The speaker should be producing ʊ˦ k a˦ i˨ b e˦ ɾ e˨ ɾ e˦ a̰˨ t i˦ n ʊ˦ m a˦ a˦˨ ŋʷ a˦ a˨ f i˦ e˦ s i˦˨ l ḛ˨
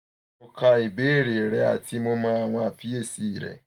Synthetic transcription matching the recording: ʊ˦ k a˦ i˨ b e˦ ɾ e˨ ɾ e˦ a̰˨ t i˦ m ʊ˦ m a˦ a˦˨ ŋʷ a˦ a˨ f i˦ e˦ s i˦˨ ɾ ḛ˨